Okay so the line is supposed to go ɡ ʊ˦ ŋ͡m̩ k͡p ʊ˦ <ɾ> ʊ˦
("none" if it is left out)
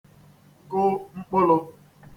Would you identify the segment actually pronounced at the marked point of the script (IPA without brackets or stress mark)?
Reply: l